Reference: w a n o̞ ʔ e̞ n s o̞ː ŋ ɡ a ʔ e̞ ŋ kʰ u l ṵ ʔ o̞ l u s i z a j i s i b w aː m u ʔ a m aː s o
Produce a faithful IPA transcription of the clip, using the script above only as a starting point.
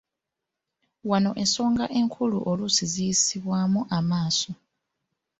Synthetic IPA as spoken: w a n o̞ ʔ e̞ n s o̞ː ŋ ɡ a ʔ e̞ ŋ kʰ u l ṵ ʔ o̞ l u s i z i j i s i β w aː m u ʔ a m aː s o